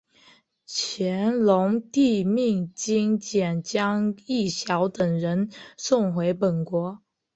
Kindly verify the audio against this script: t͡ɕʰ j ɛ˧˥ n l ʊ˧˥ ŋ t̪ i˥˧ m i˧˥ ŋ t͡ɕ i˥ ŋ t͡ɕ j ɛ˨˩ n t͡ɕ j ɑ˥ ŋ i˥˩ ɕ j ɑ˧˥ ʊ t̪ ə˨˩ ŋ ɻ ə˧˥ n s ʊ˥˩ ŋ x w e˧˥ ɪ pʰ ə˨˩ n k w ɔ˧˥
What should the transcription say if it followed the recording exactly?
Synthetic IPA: t͡ɕʰ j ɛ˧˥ n l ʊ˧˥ ŋ t̪ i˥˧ m i˥˩ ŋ t͡ɕ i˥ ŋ t͡ɕ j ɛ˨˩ n t͡ɕ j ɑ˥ ŋ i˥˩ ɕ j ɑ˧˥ ʊ t̪ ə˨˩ ŋ ɻ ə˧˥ n s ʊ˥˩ ŋ x w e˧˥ ɪ p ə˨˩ n k w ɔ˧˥